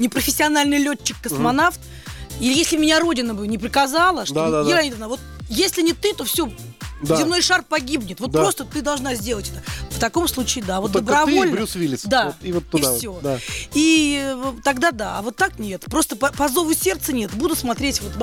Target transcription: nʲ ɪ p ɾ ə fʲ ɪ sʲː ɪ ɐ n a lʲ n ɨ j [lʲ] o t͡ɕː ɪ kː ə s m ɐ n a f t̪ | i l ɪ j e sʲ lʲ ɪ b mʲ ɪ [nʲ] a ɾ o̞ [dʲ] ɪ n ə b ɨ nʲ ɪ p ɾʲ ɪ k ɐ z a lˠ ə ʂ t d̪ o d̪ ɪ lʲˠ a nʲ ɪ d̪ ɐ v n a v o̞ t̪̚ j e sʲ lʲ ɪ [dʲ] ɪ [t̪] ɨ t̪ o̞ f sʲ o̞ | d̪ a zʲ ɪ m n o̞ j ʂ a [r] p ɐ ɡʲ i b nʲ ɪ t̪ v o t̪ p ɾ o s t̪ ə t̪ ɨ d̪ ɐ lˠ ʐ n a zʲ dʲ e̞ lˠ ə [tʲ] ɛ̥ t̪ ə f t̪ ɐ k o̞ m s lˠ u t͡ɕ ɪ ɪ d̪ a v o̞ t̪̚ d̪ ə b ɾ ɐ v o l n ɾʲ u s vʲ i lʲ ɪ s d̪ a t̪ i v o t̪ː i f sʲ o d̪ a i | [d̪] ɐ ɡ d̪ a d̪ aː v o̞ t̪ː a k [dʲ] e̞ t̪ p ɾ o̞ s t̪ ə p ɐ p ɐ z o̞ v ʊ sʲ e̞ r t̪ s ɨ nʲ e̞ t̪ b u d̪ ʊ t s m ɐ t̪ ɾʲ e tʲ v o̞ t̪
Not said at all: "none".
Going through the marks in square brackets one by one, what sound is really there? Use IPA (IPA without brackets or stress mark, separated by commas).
lʲ, nʲ, dʲ, nʲ, t̪, r, tʲ, t̪, nʲ